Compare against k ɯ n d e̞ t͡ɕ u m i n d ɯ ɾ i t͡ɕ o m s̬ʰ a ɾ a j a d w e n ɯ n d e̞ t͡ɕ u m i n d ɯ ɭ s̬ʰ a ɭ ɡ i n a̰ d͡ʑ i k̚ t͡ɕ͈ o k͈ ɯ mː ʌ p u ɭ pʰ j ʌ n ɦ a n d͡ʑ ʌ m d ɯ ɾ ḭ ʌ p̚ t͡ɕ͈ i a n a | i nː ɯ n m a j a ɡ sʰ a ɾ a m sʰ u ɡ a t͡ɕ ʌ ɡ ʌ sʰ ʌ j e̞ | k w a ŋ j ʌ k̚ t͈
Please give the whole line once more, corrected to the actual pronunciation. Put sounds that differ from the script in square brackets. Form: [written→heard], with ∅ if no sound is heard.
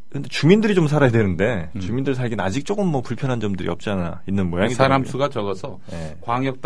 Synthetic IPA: k ɯ n d e̞ t͡ɕ u m i n d ɯ ɾ i t͡ɕ o m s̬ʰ a ɾ a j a d w e n ɯ n d e̞ t͡ɕ u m i n d ɯ ɭ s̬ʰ a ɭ ɡ i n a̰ d͡ʑ i k̚ t͡ɕ͈ o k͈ ɯ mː ʌ p u ɭ pʰ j ʌ n ɦ a n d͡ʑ ʌ m d ɯ ɾ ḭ ʌ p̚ t͡ɕ͈ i a n a | i nː ɯ n m [a→ʌ] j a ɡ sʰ a ɾ a m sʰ u ɡ a t͡ɕ ʌ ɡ ʌ sʰ ʌ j e̞ | k w a ŋ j ʌ k̚ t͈